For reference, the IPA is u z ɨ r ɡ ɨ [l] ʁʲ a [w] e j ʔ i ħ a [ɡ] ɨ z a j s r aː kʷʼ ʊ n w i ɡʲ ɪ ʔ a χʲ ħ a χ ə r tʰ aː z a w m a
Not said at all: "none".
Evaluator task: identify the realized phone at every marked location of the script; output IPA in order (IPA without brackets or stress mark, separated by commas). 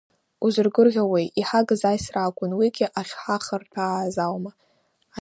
r, w, ɡ